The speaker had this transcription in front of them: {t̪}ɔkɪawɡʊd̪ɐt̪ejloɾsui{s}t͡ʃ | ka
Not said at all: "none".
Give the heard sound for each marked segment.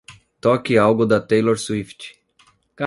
t̪, f

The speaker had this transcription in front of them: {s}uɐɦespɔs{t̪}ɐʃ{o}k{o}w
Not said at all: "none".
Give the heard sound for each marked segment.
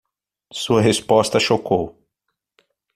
s, t̪, o, o

